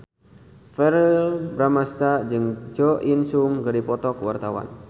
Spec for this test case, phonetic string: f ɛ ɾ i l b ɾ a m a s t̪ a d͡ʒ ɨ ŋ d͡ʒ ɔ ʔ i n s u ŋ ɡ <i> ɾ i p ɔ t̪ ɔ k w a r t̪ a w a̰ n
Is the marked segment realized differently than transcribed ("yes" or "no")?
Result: yes